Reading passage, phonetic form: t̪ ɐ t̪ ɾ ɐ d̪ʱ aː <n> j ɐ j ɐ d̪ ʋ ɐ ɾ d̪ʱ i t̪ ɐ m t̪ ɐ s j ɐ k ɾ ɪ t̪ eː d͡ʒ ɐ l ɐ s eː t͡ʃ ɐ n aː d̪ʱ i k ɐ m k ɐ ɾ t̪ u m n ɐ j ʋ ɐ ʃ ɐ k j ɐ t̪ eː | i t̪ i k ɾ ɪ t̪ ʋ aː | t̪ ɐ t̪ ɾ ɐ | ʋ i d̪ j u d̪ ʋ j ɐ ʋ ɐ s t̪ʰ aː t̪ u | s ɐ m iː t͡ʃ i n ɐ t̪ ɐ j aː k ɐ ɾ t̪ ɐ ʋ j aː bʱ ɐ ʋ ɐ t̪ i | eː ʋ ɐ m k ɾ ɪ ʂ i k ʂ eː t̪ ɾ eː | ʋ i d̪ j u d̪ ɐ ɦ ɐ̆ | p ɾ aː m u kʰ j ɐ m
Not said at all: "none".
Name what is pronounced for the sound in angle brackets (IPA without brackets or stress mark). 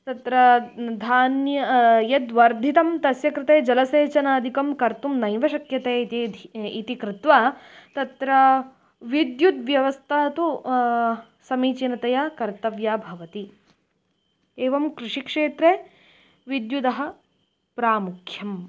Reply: n